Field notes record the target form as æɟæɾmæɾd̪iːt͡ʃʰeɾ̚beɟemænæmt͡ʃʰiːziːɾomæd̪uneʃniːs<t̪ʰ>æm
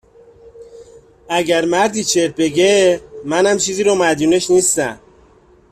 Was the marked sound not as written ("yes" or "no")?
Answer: yes